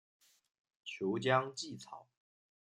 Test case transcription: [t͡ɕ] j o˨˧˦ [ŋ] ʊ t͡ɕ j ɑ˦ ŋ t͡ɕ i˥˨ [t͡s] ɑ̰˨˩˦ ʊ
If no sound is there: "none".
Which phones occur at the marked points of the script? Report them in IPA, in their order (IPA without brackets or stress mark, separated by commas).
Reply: t͡ɕʰ, none, t͡sʰ